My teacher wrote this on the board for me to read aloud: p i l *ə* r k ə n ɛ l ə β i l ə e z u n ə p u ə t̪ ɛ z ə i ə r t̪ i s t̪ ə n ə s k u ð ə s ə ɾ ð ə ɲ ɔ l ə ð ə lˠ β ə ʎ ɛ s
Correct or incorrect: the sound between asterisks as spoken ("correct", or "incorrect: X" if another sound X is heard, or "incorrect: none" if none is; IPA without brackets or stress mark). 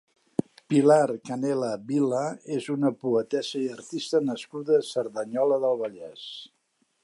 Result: incorrect: a